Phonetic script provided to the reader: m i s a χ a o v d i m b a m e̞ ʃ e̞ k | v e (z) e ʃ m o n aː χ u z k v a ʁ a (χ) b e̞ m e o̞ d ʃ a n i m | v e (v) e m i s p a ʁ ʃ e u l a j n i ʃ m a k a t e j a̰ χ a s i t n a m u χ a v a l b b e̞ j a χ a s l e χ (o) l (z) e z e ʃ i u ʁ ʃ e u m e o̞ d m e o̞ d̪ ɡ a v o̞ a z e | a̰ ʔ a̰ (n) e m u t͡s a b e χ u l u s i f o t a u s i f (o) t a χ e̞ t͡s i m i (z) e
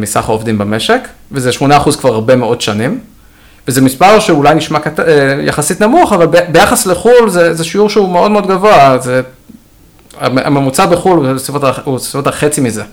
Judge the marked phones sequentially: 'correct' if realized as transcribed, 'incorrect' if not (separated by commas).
correct, incorrect, incorrect, incorrect, correct, incorrect, correct, correct